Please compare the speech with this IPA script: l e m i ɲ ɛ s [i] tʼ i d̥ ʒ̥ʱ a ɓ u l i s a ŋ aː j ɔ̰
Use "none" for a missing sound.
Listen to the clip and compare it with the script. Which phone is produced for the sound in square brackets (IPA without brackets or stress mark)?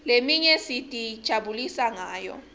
i